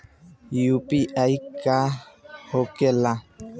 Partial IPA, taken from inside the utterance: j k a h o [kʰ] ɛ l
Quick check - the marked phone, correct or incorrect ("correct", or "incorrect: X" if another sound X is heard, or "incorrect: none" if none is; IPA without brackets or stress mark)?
incorrect: k